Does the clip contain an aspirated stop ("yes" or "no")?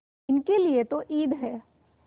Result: no